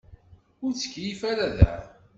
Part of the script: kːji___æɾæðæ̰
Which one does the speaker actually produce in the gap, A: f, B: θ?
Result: A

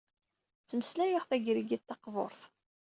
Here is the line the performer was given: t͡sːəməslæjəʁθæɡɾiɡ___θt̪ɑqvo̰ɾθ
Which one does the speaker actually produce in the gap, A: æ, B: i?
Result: B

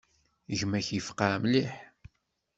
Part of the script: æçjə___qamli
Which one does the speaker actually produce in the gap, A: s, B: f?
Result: B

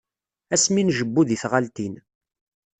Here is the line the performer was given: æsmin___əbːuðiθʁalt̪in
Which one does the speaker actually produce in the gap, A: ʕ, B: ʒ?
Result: B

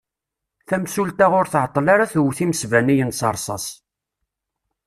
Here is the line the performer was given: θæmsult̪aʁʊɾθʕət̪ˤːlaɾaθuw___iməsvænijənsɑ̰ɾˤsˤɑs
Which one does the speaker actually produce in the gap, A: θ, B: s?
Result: A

